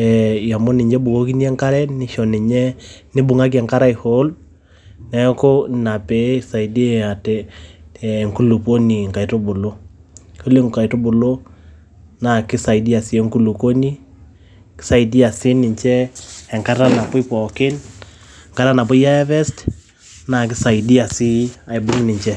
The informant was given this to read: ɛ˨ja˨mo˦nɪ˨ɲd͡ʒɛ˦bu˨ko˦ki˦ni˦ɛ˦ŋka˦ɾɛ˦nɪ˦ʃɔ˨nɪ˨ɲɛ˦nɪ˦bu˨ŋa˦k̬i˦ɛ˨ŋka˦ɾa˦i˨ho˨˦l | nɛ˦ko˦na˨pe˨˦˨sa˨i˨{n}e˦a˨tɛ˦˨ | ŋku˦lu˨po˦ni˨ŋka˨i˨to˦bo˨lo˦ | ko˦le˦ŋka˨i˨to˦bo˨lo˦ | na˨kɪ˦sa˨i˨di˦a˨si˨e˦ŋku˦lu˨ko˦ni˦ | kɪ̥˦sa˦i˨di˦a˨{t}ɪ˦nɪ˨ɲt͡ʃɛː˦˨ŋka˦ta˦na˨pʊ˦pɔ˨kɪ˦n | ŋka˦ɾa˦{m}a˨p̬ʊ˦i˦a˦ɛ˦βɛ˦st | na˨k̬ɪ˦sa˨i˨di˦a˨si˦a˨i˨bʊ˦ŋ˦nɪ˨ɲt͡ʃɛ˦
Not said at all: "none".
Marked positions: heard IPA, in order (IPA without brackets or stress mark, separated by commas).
d, s, n